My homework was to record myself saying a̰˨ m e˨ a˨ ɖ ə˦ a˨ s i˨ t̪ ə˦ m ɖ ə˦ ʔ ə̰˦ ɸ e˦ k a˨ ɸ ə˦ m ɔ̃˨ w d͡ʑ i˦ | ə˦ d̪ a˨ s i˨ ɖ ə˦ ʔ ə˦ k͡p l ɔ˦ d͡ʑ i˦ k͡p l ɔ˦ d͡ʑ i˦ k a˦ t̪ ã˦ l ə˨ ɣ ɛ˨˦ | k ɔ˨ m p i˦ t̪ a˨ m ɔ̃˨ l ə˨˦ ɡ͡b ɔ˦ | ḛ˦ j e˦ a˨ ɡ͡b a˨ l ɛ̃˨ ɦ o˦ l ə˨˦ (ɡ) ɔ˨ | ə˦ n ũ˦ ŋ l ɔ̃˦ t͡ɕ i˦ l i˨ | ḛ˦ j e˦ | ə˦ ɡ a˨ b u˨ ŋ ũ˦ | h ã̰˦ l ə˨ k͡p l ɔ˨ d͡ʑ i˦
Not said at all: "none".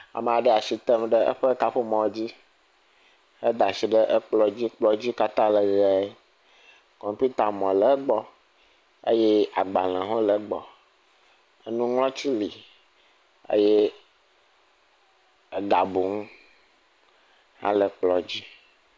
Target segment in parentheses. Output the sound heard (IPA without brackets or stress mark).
ɡ͡b